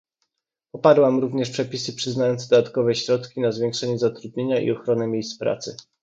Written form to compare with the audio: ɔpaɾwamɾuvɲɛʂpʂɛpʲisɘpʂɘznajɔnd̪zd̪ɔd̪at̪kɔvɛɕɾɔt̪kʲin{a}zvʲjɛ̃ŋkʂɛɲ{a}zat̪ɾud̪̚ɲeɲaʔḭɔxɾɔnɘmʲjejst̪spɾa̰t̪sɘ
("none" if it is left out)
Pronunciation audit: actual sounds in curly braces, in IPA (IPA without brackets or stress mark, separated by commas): a, ɛ